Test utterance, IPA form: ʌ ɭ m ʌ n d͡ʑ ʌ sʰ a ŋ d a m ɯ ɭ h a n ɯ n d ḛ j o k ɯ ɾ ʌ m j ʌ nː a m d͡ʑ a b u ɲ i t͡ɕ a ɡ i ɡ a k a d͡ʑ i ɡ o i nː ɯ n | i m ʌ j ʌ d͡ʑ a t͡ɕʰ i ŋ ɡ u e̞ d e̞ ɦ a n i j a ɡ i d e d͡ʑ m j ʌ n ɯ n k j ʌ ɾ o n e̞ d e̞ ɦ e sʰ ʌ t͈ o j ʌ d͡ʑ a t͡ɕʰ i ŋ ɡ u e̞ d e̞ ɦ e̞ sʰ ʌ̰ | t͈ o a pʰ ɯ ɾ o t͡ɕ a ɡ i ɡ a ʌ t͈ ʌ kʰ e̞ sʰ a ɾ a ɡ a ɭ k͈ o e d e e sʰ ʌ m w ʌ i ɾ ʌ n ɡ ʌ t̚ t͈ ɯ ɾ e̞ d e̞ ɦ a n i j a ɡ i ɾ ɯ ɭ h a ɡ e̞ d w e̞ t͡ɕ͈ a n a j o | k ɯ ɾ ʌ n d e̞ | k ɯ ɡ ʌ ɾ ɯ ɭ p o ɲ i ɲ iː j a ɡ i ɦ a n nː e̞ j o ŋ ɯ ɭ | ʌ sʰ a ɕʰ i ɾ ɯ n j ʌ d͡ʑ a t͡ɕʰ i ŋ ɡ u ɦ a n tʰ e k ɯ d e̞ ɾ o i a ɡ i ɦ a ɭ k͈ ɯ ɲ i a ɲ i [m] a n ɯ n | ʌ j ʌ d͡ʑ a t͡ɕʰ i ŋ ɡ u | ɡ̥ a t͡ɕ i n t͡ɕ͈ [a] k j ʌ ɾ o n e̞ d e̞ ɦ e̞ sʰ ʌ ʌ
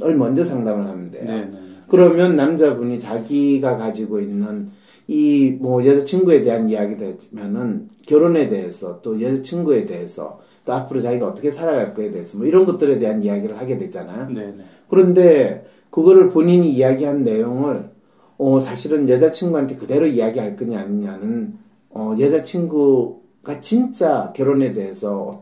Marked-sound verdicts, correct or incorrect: incorrect: ɲ, correct

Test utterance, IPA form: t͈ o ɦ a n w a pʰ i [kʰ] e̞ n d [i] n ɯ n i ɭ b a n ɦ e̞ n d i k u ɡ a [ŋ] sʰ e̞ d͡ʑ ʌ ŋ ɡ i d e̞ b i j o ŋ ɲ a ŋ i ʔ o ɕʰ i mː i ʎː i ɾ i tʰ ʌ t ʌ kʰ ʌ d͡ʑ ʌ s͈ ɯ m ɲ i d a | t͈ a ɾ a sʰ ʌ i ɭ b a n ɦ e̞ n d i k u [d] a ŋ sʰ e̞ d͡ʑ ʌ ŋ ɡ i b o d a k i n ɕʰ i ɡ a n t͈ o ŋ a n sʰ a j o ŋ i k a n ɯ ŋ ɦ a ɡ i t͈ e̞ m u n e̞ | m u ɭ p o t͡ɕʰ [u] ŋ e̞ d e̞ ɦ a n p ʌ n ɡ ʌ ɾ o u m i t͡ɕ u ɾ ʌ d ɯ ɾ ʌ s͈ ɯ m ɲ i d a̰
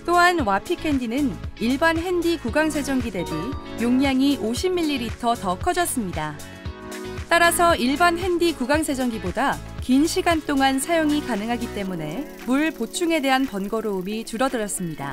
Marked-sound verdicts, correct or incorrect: correct, correct, correct, incorrect: ɡ, correct

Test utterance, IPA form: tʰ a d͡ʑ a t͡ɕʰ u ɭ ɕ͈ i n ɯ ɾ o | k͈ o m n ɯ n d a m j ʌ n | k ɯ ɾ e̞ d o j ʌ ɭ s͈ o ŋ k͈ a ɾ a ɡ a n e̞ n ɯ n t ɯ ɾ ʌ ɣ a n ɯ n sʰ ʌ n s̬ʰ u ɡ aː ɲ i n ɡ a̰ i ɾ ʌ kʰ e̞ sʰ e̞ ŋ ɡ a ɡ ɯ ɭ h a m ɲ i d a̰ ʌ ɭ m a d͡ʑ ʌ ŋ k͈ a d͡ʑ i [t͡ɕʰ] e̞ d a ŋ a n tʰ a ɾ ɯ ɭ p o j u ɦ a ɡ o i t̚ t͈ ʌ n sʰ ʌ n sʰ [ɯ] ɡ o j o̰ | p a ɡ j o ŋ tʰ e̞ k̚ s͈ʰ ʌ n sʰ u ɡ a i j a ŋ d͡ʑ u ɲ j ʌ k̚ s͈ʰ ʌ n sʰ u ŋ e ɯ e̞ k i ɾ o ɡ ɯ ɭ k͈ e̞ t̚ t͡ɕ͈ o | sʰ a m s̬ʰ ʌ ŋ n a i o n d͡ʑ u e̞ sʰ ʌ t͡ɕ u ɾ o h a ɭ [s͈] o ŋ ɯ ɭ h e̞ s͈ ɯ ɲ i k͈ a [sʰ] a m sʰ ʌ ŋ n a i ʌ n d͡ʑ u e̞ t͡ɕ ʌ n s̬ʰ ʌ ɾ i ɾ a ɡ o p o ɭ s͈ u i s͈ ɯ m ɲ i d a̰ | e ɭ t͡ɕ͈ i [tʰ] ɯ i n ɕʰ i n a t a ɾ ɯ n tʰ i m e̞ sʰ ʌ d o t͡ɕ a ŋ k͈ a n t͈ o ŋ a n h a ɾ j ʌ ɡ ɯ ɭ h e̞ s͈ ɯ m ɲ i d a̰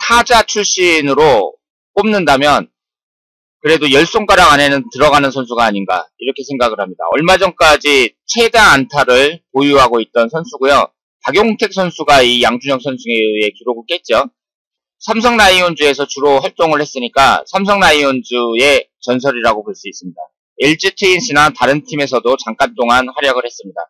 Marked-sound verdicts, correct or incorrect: correct, incorrect: u, incorrect: t͈, correct, correct

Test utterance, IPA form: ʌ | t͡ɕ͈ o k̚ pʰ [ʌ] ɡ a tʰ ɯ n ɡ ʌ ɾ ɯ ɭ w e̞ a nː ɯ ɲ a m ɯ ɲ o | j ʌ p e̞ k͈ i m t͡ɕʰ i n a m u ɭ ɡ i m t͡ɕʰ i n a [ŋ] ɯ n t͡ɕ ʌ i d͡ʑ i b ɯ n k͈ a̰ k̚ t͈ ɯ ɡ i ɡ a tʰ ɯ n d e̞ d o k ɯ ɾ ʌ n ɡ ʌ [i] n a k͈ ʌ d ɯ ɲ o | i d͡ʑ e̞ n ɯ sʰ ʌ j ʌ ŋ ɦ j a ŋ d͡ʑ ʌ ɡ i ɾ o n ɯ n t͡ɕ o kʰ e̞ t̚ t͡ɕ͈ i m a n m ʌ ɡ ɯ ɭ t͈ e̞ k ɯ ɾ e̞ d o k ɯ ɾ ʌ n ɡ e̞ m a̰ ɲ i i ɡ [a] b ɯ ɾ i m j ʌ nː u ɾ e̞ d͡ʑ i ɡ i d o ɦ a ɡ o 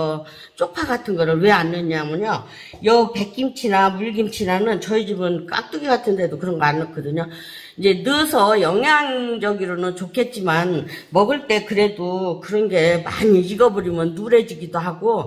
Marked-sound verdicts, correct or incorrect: incorrect: a, incorrect: n, incorrect: a, incorrect: ʌ

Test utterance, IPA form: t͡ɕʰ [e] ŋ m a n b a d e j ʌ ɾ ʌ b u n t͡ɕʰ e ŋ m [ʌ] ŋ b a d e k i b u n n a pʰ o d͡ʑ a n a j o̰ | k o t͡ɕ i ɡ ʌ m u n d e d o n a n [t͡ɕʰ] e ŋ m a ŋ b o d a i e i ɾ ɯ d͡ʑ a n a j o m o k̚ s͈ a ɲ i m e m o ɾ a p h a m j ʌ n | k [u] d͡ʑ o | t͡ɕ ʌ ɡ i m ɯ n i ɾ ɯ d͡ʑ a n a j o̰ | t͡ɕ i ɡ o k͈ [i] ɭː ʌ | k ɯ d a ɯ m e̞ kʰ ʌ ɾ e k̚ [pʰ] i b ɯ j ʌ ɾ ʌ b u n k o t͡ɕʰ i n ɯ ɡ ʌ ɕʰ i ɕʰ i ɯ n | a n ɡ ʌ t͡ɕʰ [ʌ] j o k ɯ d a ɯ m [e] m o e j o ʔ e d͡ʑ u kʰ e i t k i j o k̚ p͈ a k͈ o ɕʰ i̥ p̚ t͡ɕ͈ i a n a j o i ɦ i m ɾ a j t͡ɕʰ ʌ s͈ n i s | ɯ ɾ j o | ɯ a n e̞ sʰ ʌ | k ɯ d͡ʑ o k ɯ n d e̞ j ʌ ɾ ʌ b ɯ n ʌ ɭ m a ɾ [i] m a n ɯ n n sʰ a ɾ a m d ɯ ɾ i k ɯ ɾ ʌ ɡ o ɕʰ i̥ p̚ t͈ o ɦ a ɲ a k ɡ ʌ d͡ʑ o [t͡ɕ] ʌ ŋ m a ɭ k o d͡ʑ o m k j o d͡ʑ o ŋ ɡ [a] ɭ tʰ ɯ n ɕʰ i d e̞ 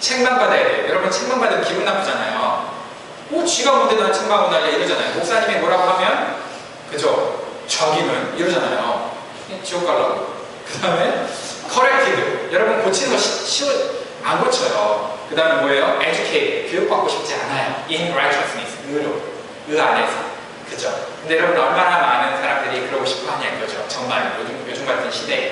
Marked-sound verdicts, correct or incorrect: correct, incorrect: a, correct, incorrect: ɯ, incorrect: a, incorrect: tʰ, correct, correct, incorrect: a, correct, correct

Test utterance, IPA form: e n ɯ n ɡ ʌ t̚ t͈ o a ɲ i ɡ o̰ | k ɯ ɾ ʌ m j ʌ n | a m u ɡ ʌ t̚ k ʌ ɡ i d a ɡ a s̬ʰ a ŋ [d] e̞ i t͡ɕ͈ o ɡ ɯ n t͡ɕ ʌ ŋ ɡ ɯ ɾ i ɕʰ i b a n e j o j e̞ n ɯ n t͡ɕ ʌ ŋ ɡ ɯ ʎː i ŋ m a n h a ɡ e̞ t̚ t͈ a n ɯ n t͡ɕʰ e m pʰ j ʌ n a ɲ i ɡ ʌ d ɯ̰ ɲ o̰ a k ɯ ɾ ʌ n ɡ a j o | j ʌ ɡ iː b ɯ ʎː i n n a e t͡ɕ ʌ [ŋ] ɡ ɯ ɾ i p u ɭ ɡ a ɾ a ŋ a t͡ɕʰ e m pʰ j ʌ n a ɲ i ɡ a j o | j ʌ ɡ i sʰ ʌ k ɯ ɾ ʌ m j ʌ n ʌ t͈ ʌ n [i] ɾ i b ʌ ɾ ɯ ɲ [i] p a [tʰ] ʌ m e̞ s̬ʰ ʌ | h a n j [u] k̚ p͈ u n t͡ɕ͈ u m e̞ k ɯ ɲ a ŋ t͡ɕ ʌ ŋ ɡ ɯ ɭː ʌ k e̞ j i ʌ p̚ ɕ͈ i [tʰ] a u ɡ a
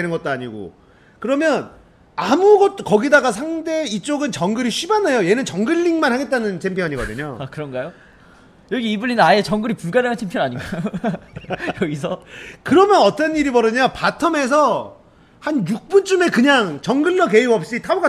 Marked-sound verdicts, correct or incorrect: correct, correct, correct, incorrect: a, correct, correct, correct

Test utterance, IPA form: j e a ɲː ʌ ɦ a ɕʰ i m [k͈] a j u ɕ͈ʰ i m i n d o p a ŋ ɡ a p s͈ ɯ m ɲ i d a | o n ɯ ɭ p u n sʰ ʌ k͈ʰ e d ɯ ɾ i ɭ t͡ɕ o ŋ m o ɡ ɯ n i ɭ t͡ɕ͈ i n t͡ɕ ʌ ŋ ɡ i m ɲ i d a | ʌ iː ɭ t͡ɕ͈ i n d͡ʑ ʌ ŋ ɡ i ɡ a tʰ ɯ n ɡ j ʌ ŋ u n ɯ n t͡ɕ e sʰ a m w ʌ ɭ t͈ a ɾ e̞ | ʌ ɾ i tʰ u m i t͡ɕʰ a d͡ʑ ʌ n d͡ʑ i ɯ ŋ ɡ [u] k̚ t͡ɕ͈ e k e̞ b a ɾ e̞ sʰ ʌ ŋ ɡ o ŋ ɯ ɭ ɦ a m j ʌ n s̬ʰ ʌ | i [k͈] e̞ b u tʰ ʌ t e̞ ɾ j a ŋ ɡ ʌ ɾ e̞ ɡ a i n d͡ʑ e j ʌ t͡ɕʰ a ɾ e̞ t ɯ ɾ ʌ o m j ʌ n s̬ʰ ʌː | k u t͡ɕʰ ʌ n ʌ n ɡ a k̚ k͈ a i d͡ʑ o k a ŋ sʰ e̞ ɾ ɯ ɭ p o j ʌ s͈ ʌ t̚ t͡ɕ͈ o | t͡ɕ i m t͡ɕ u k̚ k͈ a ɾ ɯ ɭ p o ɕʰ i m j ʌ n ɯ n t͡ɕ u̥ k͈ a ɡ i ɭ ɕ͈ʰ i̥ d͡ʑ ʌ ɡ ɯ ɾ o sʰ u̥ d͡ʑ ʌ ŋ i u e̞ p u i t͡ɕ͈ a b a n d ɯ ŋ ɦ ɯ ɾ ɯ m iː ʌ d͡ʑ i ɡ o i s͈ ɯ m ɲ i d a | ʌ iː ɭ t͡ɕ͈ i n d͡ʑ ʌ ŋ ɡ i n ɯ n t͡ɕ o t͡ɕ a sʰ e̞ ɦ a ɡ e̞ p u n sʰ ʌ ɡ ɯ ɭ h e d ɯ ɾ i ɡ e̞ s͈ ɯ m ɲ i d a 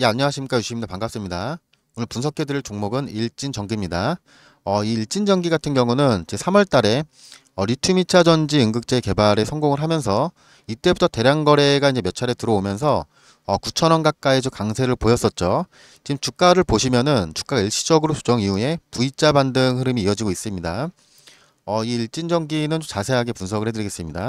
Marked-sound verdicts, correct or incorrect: correct, incorrect: ɯ, incorrect: t͈

